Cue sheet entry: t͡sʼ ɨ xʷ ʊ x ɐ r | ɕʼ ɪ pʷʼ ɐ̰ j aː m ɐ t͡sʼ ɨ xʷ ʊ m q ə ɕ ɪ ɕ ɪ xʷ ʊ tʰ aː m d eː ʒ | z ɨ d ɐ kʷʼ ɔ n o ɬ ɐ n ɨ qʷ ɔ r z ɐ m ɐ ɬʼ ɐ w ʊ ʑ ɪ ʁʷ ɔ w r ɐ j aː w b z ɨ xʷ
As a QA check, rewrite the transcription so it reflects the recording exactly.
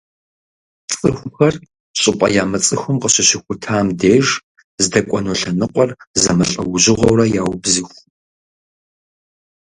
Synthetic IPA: t͡sʼ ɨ xʷ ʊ x ɐ r | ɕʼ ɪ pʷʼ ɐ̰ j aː m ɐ t͡sʼ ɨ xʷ ʊ m q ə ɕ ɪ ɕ ɪ xʷ ʊ tʰ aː m d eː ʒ | z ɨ d ɐ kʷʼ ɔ n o ɬ ɐ n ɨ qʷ ɔ r z ɐ m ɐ ɬʼ ɐ w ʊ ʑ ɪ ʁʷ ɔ w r ɐ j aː w b z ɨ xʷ